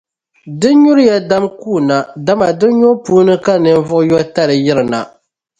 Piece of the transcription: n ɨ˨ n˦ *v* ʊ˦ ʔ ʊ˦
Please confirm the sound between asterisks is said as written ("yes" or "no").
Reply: yes